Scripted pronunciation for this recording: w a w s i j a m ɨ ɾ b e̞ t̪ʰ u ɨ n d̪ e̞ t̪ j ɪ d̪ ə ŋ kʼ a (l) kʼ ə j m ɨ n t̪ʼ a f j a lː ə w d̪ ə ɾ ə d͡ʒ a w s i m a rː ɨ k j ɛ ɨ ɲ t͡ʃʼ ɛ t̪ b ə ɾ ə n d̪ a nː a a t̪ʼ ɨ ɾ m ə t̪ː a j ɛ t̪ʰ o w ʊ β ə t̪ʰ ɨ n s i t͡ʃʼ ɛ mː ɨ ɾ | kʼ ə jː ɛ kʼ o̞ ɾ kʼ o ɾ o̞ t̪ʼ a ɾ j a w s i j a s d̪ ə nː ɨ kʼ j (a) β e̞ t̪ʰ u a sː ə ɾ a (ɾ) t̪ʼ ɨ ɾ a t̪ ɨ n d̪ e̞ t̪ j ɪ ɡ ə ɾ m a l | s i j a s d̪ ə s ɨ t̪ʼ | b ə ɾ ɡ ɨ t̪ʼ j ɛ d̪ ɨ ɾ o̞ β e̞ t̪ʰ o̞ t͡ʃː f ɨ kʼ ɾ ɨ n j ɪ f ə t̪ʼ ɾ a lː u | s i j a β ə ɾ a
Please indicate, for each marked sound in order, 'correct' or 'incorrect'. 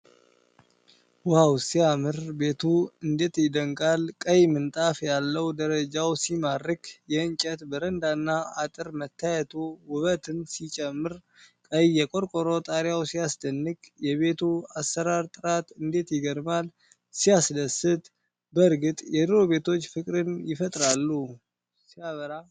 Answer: correct, incorrect, correct

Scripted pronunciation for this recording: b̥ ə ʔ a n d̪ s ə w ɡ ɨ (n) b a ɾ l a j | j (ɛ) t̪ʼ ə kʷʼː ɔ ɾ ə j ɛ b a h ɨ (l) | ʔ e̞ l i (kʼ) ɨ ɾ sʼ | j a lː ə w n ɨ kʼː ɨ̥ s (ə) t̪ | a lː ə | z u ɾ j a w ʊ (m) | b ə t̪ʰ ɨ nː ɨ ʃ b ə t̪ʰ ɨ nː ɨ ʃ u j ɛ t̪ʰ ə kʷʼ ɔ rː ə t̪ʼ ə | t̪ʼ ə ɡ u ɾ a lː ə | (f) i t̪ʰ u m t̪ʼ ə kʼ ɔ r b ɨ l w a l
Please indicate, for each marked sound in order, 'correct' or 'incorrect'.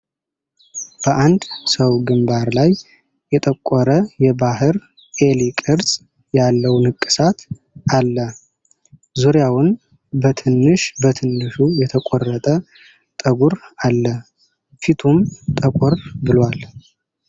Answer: incorrect, correct, incorrect, correct, incorrect, incorrect, correct

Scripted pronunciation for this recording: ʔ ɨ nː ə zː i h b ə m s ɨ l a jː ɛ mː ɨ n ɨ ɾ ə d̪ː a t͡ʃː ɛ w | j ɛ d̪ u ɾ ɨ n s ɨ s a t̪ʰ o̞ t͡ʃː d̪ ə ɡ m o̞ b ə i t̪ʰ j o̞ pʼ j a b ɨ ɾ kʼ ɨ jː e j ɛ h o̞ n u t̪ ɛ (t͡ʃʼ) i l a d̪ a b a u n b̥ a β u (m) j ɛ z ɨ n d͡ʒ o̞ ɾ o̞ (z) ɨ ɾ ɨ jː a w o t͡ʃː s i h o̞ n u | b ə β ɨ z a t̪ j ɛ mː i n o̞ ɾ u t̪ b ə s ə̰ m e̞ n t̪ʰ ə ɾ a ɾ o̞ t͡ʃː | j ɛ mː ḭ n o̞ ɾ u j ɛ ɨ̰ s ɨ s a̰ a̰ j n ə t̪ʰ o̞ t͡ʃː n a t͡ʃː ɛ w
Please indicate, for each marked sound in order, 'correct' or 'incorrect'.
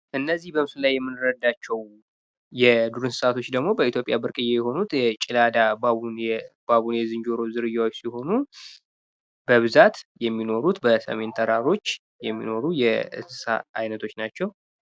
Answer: correct, incorrect, correct

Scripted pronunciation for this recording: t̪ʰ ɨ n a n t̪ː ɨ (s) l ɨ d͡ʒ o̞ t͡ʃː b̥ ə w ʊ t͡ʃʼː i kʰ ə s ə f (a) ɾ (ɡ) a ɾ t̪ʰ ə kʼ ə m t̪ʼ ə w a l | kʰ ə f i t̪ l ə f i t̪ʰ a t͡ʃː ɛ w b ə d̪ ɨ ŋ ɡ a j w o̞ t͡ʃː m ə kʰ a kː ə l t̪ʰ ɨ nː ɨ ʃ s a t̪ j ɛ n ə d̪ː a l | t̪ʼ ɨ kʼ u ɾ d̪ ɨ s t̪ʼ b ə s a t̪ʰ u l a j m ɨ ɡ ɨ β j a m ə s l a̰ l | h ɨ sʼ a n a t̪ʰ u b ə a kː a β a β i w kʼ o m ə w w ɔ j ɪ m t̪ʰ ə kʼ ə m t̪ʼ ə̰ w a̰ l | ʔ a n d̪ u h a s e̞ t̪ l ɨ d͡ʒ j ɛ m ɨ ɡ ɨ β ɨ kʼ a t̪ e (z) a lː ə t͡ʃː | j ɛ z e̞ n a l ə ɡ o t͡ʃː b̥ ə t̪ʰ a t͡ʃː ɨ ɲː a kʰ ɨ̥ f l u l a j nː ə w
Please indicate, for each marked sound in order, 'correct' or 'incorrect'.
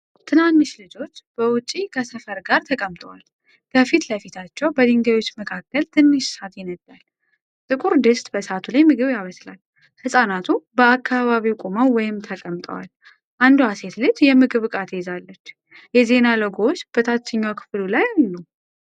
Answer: incorrect, incorrect, correct, correct

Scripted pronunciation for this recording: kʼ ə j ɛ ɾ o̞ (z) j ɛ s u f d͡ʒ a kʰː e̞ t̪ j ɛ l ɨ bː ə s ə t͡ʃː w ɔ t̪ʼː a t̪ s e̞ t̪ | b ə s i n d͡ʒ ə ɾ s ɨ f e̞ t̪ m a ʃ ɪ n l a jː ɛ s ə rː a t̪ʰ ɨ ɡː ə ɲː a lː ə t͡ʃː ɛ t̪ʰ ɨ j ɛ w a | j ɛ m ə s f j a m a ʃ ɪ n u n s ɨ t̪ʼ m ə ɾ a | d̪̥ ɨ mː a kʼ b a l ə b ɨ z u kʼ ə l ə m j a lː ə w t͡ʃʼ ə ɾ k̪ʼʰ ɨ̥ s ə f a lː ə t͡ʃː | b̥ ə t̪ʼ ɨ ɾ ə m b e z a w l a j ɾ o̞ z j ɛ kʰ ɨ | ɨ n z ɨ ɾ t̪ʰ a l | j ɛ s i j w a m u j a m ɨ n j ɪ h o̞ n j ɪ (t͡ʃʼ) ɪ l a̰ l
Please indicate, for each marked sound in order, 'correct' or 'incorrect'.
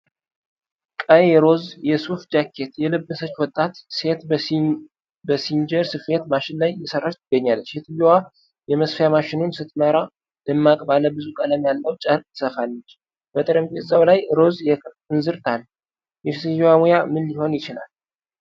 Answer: correct, incorrect

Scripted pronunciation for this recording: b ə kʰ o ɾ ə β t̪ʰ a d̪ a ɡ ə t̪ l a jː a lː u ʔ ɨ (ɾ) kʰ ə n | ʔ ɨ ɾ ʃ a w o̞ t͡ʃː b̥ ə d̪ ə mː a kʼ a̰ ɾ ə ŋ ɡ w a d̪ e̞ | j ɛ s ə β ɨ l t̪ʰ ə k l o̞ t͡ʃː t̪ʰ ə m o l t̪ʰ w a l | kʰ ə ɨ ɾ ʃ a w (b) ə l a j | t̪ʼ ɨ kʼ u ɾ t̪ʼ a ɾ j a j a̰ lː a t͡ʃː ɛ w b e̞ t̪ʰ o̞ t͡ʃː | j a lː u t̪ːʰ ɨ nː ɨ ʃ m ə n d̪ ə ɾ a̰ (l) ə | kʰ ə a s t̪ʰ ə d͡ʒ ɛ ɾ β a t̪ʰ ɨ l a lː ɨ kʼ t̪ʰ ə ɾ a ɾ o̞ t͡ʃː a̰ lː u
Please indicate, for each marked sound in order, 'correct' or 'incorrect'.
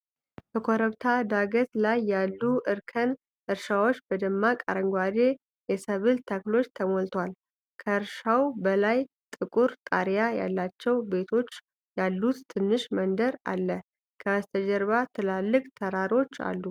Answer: correct, correct, incorrect

